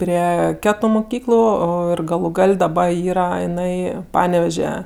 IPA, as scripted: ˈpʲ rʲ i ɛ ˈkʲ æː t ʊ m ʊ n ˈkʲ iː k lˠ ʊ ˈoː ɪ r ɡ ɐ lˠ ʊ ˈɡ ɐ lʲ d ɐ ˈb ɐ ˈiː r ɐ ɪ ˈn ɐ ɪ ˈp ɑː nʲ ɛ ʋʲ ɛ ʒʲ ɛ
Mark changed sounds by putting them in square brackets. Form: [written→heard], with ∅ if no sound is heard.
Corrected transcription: ˈpʲ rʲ i ɛ ˈkʲ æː t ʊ m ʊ [n→∅] ˈkʲ iː k lˠ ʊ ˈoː ɪ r ɡ ɐ lˠ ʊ ˈɡ ɐ lʲ d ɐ ˈb ɐ ˈiː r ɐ ɪ ˈn ɐ ɪ ˈp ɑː nʲ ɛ ʋʲ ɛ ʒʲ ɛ